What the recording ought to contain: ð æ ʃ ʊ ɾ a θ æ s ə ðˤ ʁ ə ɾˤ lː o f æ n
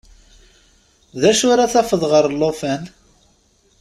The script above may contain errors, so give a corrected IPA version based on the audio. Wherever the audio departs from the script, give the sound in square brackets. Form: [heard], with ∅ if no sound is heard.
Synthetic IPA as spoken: ð æ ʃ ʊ ɾ a θ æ [f] ə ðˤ ʁ ə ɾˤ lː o f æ n